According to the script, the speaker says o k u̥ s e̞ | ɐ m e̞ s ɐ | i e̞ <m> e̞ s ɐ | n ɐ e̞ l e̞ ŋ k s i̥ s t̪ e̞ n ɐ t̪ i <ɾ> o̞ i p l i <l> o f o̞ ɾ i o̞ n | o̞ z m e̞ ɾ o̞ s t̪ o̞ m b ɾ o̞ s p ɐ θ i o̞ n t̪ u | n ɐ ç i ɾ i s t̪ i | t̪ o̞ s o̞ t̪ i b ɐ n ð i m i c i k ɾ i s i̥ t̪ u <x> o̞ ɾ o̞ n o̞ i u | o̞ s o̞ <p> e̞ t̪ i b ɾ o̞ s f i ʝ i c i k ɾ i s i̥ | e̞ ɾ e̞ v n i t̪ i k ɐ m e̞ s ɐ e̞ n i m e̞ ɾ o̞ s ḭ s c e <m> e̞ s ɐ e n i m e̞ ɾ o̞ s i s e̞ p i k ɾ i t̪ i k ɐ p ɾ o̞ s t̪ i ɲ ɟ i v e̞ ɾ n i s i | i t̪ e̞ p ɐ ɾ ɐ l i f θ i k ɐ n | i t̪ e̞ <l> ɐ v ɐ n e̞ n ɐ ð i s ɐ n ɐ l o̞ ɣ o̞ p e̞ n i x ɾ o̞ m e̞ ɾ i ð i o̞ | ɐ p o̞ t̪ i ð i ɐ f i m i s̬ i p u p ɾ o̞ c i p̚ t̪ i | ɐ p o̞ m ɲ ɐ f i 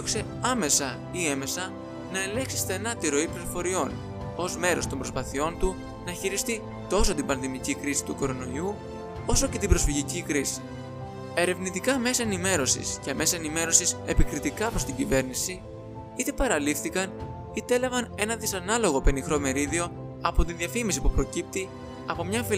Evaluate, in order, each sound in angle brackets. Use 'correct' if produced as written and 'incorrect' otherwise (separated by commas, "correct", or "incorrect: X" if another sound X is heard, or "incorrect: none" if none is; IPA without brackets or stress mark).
correct, correct, incorrect: ɾ, incorrect: k, incorrect: c, correct, correct